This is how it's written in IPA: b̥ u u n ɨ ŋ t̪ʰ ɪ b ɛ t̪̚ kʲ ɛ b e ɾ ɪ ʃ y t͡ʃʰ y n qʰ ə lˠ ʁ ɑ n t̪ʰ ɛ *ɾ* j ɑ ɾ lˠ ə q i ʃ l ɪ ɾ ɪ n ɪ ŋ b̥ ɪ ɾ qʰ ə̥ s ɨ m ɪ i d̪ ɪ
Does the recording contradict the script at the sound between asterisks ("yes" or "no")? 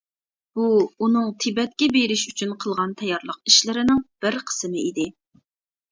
yes